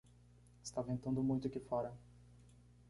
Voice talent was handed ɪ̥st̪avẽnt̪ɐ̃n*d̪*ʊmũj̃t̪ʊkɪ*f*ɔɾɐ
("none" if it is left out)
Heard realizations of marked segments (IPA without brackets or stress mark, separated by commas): d̪, f